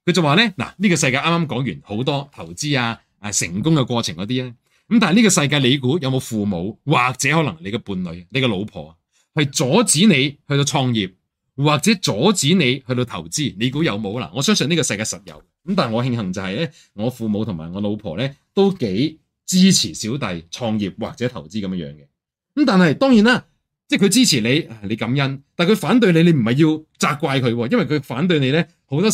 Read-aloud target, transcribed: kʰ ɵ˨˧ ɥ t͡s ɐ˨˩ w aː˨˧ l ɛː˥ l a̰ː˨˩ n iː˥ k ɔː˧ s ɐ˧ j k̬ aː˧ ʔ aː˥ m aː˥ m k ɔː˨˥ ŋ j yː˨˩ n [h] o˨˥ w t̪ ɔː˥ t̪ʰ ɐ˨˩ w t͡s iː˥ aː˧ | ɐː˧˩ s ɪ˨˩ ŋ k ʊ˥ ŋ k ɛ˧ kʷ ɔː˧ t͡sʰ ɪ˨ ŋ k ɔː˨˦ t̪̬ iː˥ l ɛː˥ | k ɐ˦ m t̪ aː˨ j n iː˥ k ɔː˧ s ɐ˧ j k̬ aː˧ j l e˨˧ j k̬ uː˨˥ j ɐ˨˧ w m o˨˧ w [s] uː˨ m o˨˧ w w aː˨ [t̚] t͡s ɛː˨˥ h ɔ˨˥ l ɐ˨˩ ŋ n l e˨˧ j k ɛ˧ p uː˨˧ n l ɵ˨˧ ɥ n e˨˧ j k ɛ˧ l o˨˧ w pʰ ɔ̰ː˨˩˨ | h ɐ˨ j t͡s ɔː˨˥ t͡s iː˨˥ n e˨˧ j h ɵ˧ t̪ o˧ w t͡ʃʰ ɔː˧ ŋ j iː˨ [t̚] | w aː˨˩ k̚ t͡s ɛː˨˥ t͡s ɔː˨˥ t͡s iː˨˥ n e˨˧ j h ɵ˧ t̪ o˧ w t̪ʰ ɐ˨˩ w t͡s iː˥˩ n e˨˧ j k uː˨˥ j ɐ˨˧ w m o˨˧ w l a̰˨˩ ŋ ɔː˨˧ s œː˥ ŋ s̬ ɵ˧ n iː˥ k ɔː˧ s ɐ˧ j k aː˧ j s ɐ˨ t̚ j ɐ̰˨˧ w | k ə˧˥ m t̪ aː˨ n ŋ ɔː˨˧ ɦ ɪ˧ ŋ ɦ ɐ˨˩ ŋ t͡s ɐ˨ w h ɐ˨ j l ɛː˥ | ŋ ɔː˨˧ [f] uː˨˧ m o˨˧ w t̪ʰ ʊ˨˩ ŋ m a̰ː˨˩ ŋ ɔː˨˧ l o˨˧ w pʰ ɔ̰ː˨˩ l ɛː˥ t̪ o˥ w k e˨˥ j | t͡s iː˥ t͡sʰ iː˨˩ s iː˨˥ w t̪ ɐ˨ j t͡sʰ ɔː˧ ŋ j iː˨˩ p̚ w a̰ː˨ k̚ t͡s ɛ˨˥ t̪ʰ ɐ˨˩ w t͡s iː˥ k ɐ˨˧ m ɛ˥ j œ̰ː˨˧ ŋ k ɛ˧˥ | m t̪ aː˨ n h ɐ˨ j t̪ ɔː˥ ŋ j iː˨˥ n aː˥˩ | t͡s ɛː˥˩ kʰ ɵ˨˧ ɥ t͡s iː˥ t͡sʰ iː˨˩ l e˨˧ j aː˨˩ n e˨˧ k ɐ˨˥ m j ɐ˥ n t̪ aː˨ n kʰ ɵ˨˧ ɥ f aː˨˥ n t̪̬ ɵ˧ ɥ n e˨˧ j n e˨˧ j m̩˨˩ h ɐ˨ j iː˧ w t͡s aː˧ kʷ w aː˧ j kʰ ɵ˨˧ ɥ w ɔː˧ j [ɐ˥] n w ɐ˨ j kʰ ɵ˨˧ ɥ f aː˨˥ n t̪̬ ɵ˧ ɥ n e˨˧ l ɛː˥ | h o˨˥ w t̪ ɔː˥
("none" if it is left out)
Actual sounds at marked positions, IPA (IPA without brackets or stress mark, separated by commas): h, f, k̚, p̚, f, ɐ˥